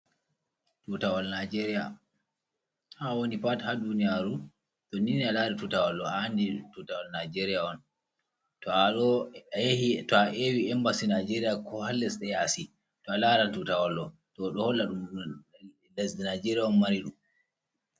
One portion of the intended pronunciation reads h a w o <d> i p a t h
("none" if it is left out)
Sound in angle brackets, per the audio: n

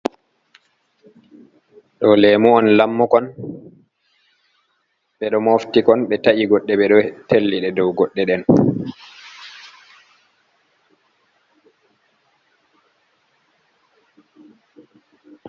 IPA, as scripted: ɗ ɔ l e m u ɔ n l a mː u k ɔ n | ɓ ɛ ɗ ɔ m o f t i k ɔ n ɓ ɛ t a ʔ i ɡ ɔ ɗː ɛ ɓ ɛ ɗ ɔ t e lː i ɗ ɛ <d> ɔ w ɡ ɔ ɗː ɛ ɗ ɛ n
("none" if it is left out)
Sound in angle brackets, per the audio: d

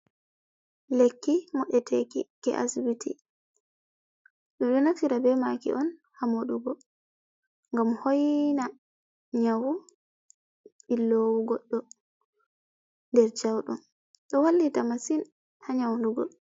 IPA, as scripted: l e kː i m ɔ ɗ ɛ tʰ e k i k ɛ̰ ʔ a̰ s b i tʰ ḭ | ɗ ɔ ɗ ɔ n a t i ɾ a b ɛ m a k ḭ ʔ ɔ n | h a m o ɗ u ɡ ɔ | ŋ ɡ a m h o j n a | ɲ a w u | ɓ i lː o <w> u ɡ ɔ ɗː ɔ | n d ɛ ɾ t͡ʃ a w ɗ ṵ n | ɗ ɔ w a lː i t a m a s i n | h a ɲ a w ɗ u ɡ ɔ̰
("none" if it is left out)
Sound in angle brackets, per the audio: w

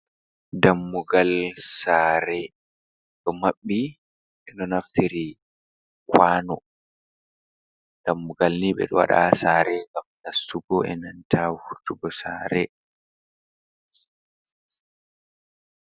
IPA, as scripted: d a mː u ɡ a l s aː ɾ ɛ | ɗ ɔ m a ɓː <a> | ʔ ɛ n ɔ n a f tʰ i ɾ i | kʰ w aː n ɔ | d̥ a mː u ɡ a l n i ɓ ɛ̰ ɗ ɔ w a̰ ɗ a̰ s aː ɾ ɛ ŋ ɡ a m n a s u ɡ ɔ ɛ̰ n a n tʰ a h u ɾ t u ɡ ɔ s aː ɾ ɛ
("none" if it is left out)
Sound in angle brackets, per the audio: i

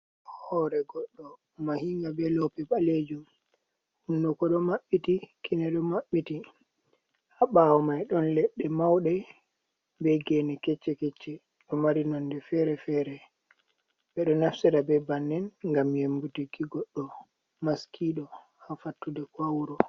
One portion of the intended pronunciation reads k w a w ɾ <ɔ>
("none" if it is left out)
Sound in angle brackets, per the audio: ɔ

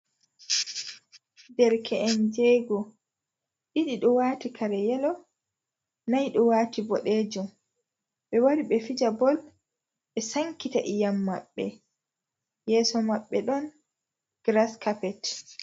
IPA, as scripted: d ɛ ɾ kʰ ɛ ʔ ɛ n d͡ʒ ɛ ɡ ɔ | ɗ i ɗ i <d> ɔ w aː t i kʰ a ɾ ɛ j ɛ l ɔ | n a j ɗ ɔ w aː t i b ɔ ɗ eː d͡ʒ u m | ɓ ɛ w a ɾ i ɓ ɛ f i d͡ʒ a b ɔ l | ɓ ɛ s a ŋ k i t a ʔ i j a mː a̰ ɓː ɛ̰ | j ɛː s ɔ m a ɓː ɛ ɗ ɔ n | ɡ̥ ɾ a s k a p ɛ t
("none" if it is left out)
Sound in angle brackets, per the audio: ɗ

